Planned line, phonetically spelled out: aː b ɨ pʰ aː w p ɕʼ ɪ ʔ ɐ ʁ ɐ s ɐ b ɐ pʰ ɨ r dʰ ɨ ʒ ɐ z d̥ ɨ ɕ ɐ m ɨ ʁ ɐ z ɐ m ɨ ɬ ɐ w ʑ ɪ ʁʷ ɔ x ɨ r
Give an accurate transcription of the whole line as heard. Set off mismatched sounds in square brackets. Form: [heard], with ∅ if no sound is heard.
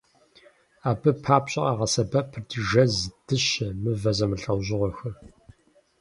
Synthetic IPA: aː b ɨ pʰ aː [∅] p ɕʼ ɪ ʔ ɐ ʁ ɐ s ɐ b ɐ pʰ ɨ r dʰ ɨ ʒ ɐ z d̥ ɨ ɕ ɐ m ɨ [v] ɐ z ɐ m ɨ ɬ ɐ w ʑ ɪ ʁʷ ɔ x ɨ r